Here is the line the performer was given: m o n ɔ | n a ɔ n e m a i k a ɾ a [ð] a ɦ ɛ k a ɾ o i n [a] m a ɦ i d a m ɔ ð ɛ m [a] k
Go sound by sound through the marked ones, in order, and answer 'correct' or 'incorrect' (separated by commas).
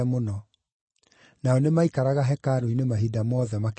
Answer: incorrect, incorrect, correct